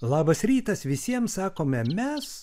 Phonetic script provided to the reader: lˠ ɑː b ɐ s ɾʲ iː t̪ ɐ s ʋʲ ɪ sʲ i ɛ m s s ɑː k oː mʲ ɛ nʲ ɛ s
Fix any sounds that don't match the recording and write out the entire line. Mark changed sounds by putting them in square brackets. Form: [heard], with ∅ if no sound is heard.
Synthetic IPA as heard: lˠ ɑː b ɐ s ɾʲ iː t̪ ɐ s ʋʲ ɪ sʲ i ɛ m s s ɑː k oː mʲ ɛ [mʲ] ɛ s

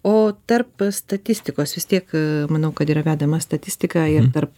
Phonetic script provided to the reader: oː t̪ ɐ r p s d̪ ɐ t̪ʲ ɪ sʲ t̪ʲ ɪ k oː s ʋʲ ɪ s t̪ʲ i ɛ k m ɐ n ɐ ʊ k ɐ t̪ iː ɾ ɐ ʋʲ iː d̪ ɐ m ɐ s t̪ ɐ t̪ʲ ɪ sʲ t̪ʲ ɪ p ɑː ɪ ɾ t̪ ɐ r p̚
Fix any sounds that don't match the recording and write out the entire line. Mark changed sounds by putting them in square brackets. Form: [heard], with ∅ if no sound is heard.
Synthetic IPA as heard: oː t̪ ɐ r p s [t̪] ɐ t̪ʲ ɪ sʲ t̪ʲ ɪ k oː s ʋʲ ɪ s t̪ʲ i ɛ k m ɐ n ɐ ʊ k ɐ t̪ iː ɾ ɐ ʋʲ [æː] d̪ ɐ m ɐ s t̪ ɐ t̪ʲ ɪ sʲ t̪ʲ ɪ [k] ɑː ɪ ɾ t̪ ɐ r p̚

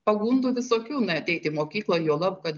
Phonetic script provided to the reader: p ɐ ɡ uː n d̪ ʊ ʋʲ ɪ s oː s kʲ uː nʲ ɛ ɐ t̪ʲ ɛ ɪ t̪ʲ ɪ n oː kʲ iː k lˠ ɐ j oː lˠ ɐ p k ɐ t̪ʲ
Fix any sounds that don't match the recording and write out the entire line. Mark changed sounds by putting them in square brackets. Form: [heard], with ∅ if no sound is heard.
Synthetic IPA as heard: p ɐ ɡ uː n d̪ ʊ ʋʲ ɪ s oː [∅] kʲ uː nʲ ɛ ɐ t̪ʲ ɛ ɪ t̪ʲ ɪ [m] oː kʲ iː k lˠ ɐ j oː lˠ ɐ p k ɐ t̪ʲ

